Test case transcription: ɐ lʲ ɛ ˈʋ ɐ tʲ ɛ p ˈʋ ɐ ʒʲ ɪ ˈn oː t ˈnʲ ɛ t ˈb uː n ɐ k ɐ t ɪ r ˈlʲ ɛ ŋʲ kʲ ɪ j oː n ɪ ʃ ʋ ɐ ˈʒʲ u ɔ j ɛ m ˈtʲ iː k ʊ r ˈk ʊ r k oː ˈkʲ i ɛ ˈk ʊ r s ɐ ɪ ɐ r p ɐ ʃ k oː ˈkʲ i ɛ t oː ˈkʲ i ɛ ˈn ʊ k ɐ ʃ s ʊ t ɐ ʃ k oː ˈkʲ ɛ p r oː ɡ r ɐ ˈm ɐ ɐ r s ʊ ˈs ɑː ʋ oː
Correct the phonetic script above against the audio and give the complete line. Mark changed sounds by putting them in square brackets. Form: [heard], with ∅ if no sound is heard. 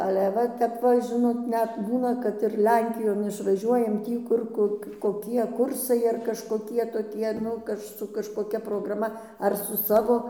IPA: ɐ lʲ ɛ ˈʋ ɐ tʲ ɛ p ˈʋ ɐ ʒʲ ɪ ˈn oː t ˈnʲ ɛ t ˈb uː n ɐ k ɐ t ɪ r ˈlʲ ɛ ŋʲ kʲ ɪ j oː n ɪ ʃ ʋ ɐ ˈʒʲ u ɔ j ɛ m ˈtʲ iː k ʊ r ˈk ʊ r k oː ˈkʲ i ɛ ˈk ʊ r s ɐ ɪ ɐ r [k] ɐ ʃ k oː ˈkʲ i ɛ t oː ˈkʲ i ɛ ˈn ʊ k ɐ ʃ s ʊ [k] ɐ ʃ k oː ˈkʲ ɛ p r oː ɡ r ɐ ˈm ɐ ɐ r s ʊ ˈs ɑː ʋ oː

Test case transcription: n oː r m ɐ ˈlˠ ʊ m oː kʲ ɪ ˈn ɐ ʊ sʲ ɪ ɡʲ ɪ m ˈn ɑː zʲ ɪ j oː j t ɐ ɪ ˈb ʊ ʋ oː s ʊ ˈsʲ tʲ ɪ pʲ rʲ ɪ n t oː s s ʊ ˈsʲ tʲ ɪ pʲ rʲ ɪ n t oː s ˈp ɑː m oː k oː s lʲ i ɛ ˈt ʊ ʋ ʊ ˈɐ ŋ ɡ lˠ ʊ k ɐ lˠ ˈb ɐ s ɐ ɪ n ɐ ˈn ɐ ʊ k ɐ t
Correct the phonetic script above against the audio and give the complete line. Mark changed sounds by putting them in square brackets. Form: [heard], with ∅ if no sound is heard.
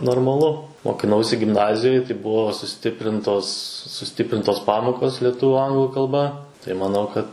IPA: n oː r m ɐ ˈlˠ ʊ m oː kʲ ɪ ˈn ɐ ʊ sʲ ɪ ɡʲ ɪ m ˈn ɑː zʲ ɪ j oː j t ɐ ɪ ˈb ʊ ʋ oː s ʊ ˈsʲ tʲ ɪ pʲ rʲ ɪ n t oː s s ʊ ˈsʲ tʲ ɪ pʲ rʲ ɪ n t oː s ˈp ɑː m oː k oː s lʲ i ɛ ˈt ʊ ʋ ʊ ˈɐ ŋ ɡ lˠ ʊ k ɐ lˠ ˈb ɐ [t] ɐ ɪ [m] ɐ ˈn ɐ ʊ k ɐ t

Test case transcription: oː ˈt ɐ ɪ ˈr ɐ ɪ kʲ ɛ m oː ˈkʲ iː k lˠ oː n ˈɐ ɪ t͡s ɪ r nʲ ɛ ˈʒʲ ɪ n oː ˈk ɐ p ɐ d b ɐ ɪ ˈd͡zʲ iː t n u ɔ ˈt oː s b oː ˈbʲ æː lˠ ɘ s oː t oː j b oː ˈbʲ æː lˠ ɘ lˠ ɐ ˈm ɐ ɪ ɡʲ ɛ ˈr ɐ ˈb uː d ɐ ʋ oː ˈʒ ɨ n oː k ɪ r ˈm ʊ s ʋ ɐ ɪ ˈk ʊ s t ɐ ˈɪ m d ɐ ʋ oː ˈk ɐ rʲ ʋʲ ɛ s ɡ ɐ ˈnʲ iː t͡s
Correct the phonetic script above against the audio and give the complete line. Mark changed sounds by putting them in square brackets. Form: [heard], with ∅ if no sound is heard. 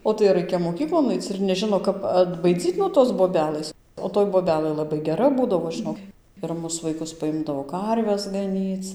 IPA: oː ˈt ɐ ɪ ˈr ɐ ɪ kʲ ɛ m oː ˈkʲ iː k lˠ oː n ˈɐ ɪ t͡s ɪ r nʲ ɛ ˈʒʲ ɪ n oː ˈk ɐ p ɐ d b ɐ ɪ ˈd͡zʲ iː t n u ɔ ˈt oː s b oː ˈbʲ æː lˠ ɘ s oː t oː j b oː ˈbʲ æː lˠ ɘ lˠ ɐ [ˈb] ɐ ɪ ɡʲ ɛ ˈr ɐ ˈb uː d ɐ ʋ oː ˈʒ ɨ n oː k ɪ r ˈm ʊ s ʋ ɐ ɪ ˈk ʊ s [p] ɐ ˈɪ m d ɐ ʋ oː ˈk ɐ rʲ ʋʲ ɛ s ɡ ɐ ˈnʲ iː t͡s

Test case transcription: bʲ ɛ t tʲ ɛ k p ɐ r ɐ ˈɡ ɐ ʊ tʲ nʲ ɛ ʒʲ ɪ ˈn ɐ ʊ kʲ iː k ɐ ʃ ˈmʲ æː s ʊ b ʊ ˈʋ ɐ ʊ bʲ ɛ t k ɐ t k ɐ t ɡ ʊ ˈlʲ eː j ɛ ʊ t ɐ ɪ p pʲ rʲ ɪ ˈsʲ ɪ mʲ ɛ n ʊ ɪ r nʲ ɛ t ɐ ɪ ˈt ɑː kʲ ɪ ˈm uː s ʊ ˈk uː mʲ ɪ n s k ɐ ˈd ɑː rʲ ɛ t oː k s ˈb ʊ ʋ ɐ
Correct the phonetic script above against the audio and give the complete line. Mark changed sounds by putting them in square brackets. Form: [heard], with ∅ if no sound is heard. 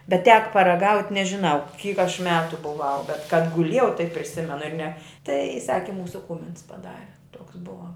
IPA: bʲ ɛ t tʲ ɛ k p ɐ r ɐ ˈɡ ɐ ʊ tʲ nʲ ɛ ʒʲ ɪ ˈn ɐ ʊ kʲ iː k ɐ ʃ ˈmʲ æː [t] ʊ b ʊ ˈʋ ɐ ʊ bʲ ɛ t k ɐ t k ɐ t ɡ ʊ ˈlʲ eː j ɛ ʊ t ɐ ɪ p pʲ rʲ ɪ ˈsʲ ɪ mʲ ɛ n ʊ ɪ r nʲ ɛ t ɐ ɪ [ˈs] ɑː kʲ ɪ ˈm uː s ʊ ˈk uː mʲ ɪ n s [p] ɐ ˈd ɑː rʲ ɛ t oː k s ˈb ʊ ʋ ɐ

